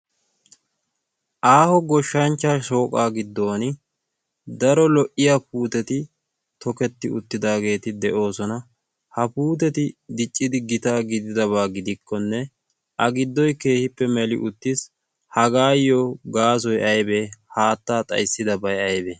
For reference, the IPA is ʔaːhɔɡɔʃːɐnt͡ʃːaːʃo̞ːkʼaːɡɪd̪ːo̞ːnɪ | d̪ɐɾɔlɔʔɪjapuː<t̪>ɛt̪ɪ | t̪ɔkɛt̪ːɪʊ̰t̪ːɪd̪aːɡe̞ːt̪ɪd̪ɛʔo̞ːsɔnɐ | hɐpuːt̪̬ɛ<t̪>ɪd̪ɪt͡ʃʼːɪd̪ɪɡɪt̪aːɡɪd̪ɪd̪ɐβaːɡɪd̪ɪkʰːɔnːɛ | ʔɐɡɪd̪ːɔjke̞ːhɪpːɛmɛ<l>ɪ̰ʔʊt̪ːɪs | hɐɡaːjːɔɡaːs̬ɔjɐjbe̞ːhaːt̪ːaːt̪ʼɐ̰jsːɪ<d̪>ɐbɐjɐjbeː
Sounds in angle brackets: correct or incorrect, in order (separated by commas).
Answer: correct, correct, correct, correct